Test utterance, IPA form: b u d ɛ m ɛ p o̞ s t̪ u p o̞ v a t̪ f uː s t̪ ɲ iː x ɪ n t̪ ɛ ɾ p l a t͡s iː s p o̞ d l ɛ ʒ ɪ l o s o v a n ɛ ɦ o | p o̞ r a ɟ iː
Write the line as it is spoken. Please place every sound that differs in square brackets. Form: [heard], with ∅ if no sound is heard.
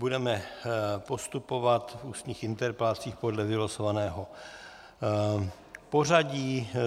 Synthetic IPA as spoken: b u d ɛ m ɛ p o̞ s t̪ u p o̞ v a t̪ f uː s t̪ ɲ iː x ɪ n t̪ ɛ ɾ p l a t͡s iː [x] p o̞ d l ɛ [v] ɪ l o s o v a n [ɛː] ɦ o | p o̞ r a ɟ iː